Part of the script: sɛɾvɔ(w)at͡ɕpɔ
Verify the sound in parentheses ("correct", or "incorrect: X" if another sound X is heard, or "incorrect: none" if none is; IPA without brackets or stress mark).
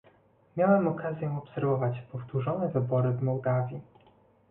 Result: incorrect: v